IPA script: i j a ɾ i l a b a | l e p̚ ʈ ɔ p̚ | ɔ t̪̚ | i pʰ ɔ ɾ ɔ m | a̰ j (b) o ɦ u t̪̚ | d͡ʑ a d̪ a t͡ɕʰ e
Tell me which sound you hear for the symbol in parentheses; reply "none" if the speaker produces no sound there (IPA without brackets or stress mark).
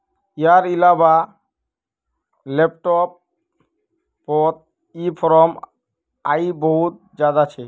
b